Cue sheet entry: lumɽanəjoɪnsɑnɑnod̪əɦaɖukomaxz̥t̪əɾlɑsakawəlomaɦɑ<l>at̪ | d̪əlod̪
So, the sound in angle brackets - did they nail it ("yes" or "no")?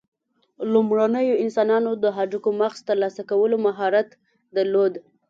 no